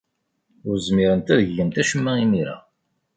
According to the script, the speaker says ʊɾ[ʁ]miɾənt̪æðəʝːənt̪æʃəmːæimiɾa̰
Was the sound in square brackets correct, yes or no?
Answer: no